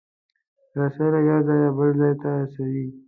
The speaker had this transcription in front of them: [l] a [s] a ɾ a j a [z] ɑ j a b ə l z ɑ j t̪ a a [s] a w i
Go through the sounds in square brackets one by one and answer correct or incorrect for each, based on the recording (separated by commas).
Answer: incorrect, correct, correct, correct